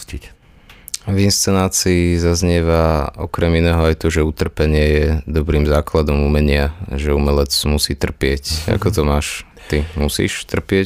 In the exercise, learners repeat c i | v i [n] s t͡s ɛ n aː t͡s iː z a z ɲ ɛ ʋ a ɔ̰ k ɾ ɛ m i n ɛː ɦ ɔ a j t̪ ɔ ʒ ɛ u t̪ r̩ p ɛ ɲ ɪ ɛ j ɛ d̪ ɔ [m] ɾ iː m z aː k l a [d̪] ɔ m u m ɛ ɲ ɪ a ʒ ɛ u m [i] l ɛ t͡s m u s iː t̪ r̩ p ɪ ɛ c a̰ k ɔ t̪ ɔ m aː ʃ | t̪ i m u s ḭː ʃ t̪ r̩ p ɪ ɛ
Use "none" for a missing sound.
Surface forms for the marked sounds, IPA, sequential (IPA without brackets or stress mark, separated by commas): n, b, d̪, ɛ